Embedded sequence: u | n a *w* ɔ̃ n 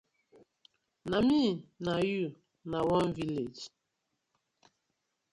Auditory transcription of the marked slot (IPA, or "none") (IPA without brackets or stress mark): w